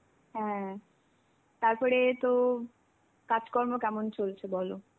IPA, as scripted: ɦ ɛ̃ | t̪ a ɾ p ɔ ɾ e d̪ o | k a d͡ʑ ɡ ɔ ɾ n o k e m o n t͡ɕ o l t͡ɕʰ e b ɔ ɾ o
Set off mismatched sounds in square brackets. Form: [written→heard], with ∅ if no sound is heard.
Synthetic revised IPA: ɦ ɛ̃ | t̪ a ɾ p ɔ ɾ e [d̪→t̪] o | k a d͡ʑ [ɡ→k] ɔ ɾ [n→m] o k [e→ɛ] m o n t͡ɕ o l t͡ɕʰ e b ɔ [ɾ→l] o